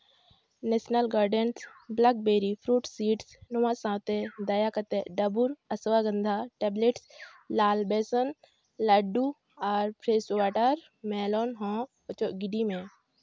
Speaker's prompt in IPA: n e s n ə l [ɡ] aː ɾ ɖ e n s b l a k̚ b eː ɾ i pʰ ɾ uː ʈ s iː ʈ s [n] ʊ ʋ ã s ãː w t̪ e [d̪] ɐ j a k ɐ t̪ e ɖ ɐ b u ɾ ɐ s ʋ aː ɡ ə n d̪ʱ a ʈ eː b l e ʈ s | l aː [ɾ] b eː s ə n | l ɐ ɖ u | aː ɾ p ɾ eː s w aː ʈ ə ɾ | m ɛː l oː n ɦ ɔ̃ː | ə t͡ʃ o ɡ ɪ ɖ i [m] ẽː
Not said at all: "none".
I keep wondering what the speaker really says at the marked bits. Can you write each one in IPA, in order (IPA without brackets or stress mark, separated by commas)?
ɡ, n, d̪, l, m